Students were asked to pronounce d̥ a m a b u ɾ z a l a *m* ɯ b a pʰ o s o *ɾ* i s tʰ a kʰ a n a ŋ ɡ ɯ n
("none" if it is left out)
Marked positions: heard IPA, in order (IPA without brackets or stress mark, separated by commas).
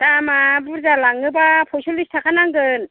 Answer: ŋ, l